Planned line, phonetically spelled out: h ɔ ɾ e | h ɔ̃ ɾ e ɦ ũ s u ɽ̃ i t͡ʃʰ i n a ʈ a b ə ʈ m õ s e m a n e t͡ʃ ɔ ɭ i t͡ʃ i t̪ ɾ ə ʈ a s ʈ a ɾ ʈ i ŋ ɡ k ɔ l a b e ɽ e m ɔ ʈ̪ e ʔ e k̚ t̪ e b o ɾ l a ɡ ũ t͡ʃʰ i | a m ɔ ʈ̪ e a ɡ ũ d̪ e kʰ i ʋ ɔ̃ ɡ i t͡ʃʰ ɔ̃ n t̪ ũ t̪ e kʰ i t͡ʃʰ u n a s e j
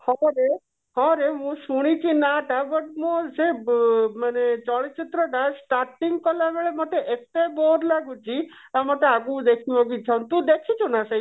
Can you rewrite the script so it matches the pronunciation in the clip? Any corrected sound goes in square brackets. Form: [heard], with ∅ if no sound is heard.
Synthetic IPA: h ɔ ɾ e | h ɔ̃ ɾ e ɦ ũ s u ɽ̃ i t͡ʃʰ i n a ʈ a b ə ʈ m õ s e m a n e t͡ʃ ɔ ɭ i t͡ʃ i t̪ ɾ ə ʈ a s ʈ a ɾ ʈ i ŋ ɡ k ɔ l a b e [ɭ] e m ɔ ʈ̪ e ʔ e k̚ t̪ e b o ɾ l a ɡ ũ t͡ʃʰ i | a m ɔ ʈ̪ e a ɡ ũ d̪ e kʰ i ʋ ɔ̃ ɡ i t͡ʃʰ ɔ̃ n t̪ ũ [d̪] e kʰ i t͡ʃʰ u n a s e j